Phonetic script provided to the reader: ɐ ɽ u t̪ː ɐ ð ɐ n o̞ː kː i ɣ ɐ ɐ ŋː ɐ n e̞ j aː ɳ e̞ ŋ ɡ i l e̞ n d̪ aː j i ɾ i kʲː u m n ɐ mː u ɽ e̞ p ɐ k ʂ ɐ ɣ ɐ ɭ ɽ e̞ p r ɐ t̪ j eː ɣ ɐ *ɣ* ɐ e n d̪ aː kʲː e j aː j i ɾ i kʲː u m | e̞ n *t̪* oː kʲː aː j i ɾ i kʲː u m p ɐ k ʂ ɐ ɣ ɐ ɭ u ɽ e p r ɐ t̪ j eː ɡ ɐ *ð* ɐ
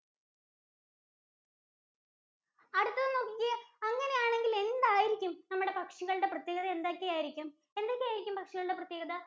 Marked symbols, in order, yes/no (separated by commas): no, no, yes